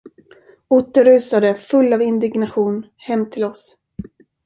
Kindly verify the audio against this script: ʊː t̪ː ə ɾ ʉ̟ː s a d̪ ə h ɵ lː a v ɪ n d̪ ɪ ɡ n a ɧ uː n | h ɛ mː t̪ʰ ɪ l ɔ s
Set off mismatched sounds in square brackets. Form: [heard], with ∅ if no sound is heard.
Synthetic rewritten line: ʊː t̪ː ə ɾ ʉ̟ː s a d̪ ə [f] ɵ lː a v ɪ n d̪ ɪ ɡ n a ɧ uː n | h ɛ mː t̪ʰ ɪ l ɔ s